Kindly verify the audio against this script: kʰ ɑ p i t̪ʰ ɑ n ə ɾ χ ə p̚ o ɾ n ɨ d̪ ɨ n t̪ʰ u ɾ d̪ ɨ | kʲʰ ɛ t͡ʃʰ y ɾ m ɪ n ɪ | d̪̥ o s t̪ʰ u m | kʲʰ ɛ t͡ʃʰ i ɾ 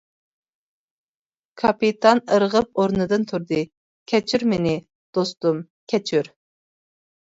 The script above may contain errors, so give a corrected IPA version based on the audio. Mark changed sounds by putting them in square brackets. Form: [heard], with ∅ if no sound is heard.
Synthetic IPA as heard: kʰ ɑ p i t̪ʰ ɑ n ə ɾ [ʁ] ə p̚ o ɾ n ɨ d̪ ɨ n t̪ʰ u ɾ d̪ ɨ | kʲʰ ɛ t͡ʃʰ y ɾ m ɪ n ɪ | d̪̥ o s [t̪] u m | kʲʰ ɛ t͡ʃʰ [y] ɾ